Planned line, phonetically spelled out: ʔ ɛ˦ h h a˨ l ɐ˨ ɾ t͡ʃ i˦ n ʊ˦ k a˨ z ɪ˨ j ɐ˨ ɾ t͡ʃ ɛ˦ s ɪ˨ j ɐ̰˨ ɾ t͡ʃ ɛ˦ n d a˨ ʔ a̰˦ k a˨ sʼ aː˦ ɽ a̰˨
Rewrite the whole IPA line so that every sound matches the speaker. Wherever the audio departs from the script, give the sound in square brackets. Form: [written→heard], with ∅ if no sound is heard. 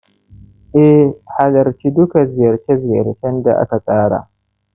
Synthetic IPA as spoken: ʔ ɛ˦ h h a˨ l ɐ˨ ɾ t͡ʃ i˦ [n→d] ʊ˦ k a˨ z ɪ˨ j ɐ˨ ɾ t͡ʃ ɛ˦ [s→z] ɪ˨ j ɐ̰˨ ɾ t͡ʃ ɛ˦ n d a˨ ʔ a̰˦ k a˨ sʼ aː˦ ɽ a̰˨